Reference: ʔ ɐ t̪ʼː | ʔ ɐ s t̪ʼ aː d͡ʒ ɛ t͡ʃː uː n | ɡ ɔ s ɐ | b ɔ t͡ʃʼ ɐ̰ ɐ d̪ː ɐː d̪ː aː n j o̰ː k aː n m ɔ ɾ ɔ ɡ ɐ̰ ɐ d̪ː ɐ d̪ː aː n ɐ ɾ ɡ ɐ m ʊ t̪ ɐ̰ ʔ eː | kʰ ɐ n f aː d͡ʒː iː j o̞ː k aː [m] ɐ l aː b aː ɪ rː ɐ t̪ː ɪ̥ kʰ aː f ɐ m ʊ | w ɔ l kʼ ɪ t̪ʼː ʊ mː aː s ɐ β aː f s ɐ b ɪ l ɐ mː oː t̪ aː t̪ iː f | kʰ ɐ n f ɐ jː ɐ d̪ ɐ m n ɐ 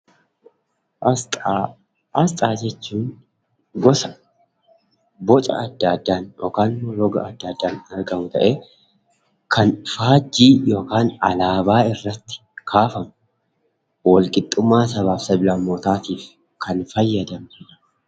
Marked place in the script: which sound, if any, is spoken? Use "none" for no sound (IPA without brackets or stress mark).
n